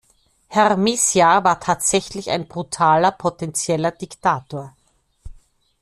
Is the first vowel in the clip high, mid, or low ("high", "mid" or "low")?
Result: mid